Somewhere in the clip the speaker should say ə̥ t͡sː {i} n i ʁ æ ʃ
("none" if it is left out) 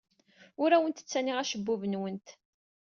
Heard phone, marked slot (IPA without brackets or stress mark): æ